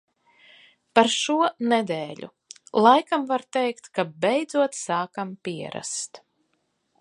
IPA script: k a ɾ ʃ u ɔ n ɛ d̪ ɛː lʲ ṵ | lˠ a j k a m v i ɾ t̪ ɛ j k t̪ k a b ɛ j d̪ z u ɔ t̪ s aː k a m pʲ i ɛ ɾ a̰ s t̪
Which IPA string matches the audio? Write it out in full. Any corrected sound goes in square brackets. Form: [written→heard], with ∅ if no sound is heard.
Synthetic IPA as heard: [k→p] a ɾ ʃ u ɔ n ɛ d̪ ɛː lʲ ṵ | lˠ a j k a m v [i→a] ɾ t̪ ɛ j k t̪ k a b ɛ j d̪ z u ɔ t̪ s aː k a m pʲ i ɛ ɾ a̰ s t̪